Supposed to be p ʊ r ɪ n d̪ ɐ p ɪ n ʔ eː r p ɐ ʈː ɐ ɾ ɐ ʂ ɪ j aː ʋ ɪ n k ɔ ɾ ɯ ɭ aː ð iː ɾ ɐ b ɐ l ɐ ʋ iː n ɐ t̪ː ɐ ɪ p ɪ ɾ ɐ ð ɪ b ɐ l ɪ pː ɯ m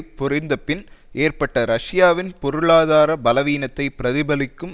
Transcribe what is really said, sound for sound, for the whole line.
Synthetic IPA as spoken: p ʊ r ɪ n d̪ ɐ p ɪ n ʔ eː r p ɐ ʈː ɐ ɾ ɐ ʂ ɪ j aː ʋ ɪ n p ɔ ɾ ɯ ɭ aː ð aː ɾ ɐ b ɐ l ɐ ʋ iː n ɐ t̪ː ɐ ɪ p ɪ ɾ ɐ ð ɪ b ɐ l ɪ kː ɯ m